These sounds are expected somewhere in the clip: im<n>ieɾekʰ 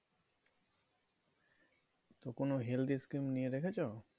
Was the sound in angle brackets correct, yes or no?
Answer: yes